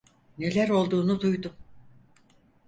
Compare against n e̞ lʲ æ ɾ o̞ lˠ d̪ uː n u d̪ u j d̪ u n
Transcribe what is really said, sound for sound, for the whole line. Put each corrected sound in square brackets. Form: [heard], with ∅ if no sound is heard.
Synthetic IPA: n e̞ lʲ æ ɾ o̞ lˠ d̪ uː n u d̪ u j d̪ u [m]

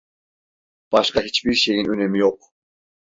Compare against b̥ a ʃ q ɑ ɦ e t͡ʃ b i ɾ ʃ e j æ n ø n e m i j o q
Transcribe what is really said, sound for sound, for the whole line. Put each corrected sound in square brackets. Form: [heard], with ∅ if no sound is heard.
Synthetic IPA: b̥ [ɑ] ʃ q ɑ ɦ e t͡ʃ b i ɾ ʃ e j [i] n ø n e m i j o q

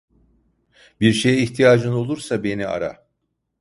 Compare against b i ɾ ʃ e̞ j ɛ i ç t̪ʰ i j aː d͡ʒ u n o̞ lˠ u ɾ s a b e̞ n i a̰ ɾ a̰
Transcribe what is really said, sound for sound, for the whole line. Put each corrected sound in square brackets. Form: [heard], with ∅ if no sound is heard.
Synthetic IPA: b i ɾ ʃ e̞ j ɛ i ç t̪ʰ i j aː d͡ʒ [ɯ] n o̞ lˠ u ɾ s a b e̞ n i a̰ ɾ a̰

